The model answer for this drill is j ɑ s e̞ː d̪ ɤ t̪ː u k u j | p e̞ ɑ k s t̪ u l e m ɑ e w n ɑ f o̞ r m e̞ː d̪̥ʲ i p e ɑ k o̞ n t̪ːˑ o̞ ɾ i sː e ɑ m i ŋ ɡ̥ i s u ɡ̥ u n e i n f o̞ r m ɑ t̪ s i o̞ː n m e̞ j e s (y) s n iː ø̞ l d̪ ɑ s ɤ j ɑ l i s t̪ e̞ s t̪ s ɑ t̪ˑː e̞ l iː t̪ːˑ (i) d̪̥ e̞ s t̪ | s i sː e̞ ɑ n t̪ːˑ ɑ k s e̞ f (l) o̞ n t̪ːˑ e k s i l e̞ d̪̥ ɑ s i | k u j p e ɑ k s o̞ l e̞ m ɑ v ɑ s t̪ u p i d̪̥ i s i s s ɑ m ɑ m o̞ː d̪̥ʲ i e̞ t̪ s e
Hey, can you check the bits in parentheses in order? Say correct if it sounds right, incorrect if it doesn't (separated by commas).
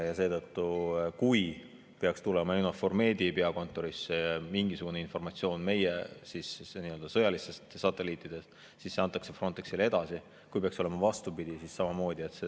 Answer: incorrect, correct, incorrect